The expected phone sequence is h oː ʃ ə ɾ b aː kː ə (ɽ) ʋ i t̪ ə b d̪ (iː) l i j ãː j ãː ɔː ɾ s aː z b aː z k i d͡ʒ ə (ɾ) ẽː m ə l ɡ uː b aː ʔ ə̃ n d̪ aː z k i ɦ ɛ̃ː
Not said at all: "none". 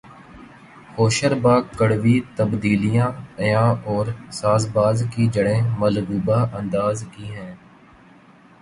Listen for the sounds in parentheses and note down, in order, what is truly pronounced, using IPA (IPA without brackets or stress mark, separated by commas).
ɽ, iː, ɽ